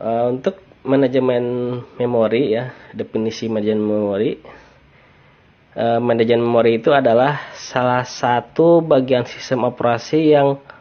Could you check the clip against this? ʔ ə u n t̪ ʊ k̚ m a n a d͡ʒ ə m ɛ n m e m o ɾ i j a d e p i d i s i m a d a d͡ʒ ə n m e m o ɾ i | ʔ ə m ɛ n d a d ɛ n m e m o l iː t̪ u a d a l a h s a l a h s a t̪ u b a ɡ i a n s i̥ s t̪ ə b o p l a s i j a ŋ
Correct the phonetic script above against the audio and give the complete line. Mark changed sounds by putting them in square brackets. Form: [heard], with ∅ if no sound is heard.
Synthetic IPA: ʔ ə u n t̪ ʊ k̚ m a n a d͡ʒ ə m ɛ n m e m o ɾ i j a d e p i [n] i s i m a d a d͡ʒ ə n m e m o ɾ i | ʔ ə m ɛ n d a [d͡ʒ] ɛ n m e m o [ɾ] iː t̪ u a d a l a h s a l a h s a t̪ u b a ɡ i a n s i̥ s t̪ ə [m] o p [ɾ] a s i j a ŋ